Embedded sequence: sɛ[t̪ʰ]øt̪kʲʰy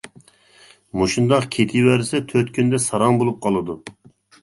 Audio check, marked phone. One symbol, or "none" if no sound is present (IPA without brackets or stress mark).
t̪ʰ